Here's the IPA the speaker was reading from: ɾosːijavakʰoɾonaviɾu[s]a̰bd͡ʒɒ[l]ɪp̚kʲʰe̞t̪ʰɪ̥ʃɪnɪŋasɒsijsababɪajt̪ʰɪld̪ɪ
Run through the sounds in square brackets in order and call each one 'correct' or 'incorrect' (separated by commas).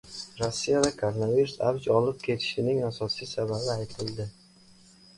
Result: correct, correct